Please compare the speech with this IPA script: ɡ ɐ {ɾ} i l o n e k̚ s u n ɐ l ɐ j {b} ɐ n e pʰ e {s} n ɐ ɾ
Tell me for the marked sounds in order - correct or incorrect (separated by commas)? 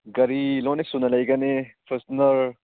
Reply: correct, incorrect, correct